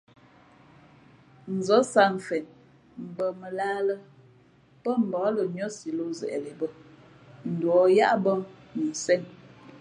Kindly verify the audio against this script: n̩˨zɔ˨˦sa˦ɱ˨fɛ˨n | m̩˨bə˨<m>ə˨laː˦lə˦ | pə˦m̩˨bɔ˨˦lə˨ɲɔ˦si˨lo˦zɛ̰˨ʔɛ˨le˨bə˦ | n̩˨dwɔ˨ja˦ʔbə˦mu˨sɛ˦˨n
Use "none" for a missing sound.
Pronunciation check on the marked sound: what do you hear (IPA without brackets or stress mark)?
m